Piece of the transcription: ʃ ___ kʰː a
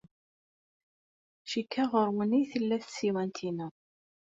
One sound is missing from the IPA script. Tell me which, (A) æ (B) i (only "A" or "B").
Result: B